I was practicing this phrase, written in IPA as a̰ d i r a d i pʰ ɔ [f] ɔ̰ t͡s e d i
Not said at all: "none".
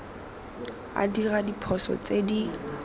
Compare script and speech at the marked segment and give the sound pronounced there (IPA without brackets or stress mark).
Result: s